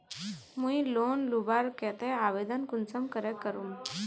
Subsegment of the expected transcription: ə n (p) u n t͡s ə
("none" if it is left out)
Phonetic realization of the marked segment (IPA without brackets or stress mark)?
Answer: k